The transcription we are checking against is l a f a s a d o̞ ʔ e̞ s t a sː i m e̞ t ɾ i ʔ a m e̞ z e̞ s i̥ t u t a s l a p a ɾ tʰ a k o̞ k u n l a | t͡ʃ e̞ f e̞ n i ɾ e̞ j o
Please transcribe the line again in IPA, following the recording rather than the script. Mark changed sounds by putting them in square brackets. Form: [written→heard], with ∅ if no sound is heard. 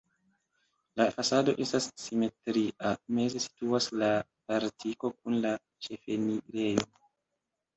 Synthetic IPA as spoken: l a f a s a d o̞ ʔ e̞ s t a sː i m e̞ t ɾ i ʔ a m e̞ z e̞ s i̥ t u [t→∅] a s l a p a ɾ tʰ [a→i] k o̞ k u n l a | t͡ʃ e̞ f e̞ n i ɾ e̞ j o